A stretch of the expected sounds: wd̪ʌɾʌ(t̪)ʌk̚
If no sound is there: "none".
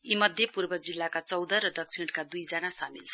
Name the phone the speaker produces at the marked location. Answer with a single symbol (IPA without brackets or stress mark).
d̪